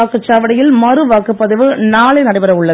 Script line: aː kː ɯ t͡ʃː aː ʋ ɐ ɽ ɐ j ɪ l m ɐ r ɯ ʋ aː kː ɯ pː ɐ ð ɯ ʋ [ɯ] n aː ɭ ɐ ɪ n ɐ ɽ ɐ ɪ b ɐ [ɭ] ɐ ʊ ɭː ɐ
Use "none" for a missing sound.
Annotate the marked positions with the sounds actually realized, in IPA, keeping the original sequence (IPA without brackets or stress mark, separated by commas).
ɯ, ɾ